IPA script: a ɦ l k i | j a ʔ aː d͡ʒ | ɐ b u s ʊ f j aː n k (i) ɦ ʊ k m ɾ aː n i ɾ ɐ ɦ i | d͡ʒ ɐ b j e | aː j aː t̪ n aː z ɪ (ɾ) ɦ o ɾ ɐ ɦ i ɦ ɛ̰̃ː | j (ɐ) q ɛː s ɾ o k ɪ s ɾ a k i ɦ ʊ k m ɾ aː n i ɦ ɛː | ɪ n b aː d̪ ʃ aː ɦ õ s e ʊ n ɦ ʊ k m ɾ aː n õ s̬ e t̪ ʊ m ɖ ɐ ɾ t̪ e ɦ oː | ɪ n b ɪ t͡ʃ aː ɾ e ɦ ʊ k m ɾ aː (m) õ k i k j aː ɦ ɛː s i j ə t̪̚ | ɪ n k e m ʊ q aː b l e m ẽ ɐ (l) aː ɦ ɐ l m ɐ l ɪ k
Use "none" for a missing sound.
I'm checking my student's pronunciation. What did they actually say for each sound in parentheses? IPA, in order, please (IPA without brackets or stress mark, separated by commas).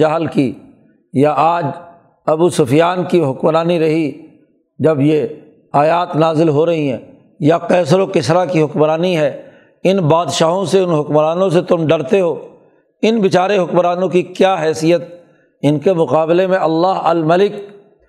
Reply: i, l, a, n, lː